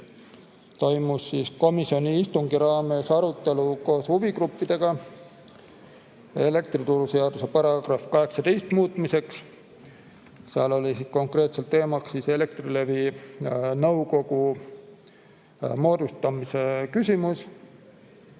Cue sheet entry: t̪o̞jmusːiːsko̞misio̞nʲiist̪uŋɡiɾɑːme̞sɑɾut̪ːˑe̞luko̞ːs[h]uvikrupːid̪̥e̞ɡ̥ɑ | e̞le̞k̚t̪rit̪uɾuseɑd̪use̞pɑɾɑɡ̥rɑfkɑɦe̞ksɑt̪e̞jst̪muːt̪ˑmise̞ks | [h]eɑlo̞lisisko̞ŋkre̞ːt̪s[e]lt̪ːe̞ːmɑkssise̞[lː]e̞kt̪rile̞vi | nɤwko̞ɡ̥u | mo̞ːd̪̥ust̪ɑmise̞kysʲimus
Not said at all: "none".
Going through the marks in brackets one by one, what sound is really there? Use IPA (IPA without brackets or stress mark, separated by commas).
h, s, e, l